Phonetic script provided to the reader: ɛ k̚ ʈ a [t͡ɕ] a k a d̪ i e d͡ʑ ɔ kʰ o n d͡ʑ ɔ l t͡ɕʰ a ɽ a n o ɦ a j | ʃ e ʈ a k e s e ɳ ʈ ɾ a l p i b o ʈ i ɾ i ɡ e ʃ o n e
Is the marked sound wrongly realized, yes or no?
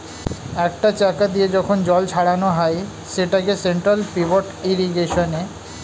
no